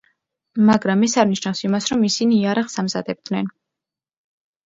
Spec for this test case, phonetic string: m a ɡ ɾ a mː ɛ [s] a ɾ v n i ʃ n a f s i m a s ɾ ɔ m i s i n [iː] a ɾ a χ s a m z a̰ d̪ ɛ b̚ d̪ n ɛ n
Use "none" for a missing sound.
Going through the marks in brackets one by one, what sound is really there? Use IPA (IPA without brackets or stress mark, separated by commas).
s, iː